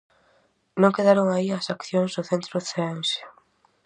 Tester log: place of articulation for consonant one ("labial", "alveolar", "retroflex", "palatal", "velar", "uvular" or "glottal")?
alveolar